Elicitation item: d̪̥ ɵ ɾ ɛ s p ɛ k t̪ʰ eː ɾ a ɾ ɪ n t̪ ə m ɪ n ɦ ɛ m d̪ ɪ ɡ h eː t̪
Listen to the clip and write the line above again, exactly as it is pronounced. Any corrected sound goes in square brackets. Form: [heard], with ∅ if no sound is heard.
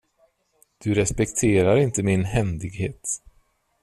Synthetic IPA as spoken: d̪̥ ɵ ɾ ɛ s p ɛ k t̪ʰ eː ɾ a ɾ ɪ n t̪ ə m ɪ n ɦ ɛ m d̪ ɪ ɡ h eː t̪